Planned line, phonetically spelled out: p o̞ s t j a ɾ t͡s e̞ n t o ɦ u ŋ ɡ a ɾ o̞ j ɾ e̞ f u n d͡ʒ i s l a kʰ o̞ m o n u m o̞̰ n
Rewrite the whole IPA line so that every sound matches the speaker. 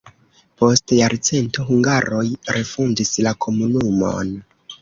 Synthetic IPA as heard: p o̞ s t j a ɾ t͡s e̞ n t o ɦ u ŋ ɡ a ɾ o̞ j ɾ e̞ f u n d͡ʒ i s l a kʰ o̞ m u n u m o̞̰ n